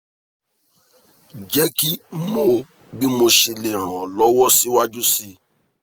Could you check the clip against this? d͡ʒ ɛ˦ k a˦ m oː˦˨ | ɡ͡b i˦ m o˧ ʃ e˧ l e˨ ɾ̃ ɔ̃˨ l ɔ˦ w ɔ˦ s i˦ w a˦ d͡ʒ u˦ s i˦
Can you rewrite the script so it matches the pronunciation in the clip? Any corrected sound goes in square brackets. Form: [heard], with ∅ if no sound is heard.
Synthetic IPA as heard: d͡ʒ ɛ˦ k [i˦] m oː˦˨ | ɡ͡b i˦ m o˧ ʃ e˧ l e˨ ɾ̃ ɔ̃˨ l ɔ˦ w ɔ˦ s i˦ w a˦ d͡ʒ u˦ s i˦